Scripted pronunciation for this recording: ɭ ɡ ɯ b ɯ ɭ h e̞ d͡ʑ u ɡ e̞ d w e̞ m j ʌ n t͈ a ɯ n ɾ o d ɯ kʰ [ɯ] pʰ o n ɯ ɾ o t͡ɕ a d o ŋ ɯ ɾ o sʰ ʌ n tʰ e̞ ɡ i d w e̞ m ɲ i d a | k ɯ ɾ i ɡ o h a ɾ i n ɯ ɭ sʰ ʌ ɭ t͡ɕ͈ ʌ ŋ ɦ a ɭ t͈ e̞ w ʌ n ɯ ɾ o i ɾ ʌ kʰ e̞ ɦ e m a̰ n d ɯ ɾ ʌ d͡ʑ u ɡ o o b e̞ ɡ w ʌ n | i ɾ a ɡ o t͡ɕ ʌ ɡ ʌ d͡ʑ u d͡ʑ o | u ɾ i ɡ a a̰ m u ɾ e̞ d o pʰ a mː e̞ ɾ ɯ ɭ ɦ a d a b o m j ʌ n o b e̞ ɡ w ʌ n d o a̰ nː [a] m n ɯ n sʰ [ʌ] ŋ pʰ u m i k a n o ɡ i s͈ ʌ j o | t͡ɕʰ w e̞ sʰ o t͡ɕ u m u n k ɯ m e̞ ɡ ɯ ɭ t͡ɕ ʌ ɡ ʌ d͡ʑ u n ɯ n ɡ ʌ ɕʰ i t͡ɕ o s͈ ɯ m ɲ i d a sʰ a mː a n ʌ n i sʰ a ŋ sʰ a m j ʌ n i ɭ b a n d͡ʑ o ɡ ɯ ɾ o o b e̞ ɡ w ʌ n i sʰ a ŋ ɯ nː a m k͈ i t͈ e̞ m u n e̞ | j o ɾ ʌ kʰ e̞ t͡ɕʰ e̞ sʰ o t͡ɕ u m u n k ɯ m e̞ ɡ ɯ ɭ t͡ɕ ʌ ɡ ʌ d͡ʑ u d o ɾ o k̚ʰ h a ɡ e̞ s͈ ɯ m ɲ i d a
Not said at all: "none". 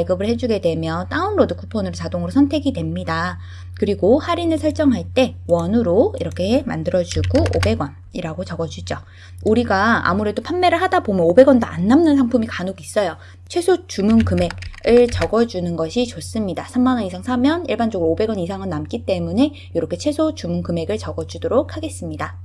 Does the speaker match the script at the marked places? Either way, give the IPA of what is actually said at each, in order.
u, a, a

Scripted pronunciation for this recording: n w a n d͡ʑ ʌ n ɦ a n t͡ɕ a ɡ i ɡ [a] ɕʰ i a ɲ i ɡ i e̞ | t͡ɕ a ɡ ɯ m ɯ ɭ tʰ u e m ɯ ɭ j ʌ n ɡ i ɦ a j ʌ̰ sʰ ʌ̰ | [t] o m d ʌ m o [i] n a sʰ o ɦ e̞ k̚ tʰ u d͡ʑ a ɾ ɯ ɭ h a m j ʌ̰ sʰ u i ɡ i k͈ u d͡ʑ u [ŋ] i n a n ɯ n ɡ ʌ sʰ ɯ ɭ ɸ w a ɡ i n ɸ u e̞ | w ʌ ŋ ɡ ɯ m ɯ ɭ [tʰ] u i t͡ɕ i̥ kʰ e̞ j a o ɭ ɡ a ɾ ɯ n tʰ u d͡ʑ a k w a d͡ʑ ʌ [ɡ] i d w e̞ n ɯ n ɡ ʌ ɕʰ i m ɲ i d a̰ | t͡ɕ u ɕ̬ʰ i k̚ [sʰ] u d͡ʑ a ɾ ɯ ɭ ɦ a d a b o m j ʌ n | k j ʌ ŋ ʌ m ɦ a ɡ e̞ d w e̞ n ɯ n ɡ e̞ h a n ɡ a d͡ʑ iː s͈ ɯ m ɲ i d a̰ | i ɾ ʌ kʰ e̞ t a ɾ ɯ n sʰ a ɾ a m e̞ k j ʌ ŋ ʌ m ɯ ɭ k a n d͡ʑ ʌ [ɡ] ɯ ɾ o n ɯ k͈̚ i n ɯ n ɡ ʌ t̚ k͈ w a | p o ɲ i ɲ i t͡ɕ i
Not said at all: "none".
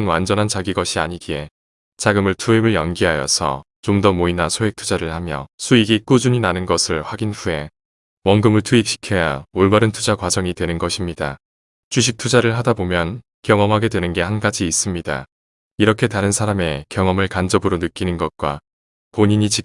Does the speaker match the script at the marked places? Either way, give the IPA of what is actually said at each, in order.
ʌ, t͡ɕ, i, ɲ, tʰ, ŋ, tʰ, b

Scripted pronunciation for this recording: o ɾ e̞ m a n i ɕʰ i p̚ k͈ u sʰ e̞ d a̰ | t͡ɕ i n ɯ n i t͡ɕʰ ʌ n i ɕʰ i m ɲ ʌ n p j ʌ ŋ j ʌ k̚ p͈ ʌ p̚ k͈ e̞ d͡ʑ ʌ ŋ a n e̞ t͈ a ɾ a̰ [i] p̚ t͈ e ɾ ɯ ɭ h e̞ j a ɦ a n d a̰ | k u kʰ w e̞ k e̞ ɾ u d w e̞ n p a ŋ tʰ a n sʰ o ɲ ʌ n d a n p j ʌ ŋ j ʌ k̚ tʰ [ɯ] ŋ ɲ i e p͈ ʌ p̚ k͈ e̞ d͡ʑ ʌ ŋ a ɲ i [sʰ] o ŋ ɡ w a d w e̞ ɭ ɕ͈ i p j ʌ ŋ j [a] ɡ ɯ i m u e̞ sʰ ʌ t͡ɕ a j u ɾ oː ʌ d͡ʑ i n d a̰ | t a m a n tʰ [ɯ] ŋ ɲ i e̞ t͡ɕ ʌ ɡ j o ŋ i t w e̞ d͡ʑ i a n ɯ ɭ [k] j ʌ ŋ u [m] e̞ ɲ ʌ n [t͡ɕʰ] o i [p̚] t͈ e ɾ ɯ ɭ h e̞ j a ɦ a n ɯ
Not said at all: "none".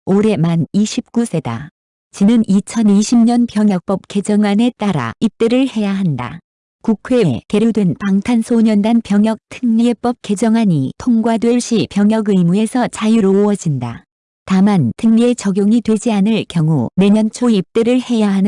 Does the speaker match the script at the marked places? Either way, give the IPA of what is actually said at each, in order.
i, ɯ, tʰ, ʌ, ɯ, k, n, t͡ɕʰ, p̚

